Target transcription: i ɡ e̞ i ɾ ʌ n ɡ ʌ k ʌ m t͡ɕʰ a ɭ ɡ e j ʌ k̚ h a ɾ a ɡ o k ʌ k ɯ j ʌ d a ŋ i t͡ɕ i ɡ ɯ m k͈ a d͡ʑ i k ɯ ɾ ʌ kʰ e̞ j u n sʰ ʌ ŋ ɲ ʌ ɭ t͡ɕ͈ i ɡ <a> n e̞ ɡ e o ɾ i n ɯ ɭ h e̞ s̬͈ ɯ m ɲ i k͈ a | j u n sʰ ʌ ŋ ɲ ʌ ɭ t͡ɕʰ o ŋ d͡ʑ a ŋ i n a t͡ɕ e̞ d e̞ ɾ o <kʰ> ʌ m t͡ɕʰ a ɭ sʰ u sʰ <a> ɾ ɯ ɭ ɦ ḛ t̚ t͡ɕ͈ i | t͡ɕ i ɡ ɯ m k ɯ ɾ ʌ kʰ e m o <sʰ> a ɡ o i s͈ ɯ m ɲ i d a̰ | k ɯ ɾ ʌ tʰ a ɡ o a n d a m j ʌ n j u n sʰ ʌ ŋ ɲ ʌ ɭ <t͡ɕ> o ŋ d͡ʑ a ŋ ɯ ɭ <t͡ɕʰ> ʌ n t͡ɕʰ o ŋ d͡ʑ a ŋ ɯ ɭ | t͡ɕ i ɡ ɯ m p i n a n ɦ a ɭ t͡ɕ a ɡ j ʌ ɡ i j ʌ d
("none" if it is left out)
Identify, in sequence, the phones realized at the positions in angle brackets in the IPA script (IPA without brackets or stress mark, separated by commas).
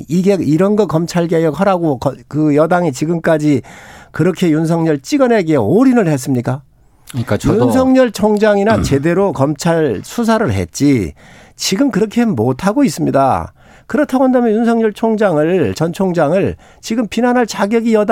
ʌ, k, a, tʰ, t͡ɕʰ, t͡ɕ